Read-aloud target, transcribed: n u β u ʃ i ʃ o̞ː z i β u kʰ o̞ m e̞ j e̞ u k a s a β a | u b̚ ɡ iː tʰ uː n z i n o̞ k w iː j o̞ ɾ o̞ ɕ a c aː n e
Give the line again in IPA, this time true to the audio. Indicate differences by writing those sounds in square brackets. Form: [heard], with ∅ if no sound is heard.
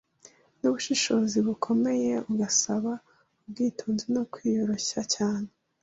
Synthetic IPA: n u β u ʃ i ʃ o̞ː z i β u kʰ o̞ m e̞ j e̞ u [ɡ] a s a β a | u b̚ ɡ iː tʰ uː n z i n o̞ k w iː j o̞ ɾ o̞ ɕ a c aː n e